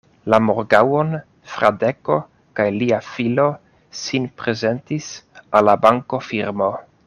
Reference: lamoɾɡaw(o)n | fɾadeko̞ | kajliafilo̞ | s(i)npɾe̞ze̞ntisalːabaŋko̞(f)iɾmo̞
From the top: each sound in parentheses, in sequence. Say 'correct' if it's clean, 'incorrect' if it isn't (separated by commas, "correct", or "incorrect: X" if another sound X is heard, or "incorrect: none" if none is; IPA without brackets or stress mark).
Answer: correct, correct, correct